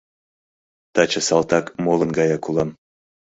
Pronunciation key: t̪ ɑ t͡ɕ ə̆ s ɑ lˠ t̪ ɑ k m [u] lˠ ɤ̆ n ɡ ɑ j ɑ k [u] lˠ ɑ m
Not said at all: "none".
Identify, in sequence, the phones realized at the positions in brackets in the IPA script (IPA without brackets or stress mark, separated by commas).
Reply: o, u